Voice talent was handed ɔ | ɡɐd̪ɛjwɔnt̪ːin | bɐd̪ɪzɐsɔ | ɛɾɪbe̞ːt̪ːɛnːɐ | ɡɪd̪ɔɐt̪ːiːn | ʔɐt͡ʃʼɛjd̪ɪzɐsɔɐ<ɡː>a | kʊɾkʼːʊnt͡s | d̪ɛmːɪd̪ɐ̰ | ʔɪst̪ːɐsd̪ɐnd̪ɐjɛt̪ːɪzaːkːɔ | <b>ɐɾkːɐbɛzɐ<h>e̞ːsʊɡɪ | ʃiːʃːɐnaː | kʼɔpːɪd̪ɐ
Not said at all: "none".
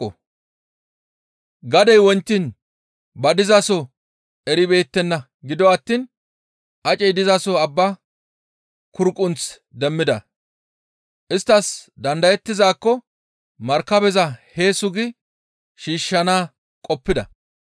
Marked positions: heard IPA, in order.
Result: bː, m, h

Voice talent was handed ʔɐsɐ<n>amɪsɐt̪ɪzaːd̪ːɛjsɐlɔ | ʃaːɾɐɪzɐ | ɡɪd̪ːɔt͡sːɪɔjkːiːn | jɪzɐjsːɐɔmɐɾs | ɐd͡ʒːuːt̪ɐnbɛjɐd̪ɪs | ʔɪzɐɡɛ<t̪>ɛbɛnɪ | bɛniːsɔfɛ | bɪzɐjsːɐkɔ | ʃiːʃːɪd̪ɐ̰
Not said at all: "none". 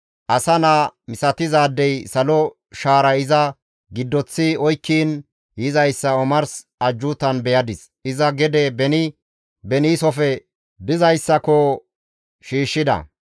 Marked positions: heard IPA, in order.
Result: n, d̪

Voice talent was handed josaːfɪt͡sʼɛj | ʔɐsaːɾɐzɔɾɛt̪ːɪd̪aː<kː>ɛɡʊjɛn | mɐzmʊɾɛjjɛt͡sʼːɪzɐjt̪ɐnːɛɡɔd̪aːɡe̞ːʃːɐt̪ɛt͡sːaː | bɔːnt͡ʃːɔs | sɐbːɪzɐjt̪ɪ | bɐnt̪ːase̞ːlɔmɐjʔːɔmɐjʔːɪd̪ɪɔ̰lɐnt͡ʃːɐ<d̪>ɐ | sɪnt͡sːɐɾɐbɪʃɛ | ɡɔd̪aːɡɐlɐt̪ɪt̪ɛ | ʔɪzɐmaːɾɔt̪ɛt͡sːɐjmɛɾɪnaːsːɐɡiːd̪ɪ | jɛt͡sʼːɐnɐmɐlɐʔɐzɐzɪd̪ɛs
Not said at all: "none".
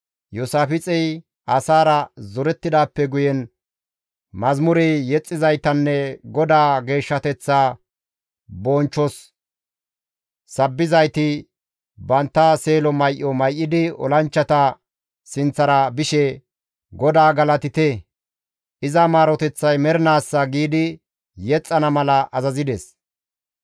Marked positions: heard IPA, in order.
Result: pː, t̪

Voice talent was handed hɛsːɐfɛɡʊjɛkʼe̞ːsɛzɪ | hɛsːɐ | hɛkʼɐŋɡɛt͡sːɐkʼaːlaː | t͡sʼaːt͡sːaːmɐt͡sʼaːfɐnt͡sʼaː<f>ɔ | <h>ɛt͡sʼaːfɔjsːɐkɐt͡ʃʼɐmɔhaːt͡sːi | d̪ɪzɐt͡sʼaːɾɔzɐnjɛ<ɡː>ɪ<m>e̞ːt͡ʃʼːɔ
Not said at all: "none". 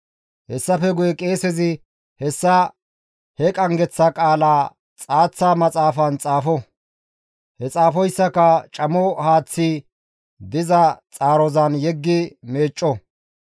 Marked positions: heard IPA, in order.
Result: f, h, ɡː, m

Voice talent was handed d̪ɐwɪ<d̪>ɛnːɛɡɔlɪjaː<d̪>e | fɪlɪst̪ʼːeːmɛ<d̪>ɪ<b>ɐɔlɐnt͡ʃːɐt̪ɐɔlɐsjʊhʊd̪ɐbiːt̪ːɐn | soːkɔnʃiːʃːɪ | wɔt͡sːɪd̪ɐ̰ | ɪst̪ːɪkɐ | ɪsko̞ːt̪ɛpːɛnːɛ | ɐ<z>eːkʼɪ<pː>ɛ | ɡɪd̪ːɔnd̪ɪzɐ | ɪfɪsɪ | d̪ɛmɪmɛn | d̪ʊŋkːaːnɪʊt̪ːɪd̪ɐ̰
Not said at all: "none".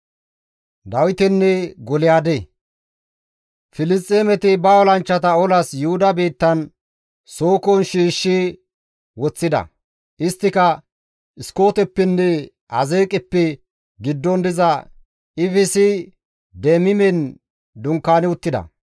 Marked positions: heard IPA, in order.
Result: t̪, d̪, t̪, b, z, pː

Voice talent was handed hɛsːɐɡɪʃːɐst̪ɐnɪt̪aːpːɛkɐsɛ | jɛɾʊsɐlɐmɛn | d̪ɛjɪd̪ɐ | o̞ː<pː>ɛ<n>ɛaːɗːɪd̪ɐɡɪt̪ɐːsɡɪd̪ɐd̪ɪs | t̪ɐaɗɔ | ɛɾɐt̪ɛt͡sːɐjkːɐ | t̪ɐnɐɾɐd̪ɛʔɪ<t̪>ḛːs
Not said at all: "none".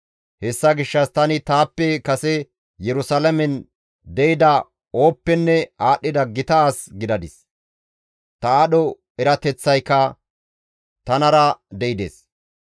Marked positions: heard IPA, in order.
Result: pː, nː, d̪

